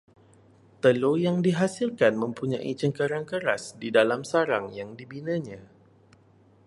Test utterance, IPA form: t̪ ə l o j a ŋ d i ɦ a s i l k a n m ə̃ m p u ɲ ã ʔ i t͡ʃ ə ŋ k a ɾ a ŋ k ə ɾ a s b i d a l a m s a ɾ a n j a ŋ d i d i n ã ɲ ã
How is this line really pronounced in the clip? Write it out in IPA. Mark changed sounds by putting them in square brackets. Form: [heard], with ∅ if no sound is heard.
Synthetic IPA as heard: t̪ ə l o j a ŋ d i ɦ a s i l k a n m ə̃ m p u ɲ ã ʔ i t͡ʃ ə ŋ k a ɾ a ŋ k ə ɾ a s [d] i d a l a m s a ɾ a [ŋ] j a ŋ d i [b] i n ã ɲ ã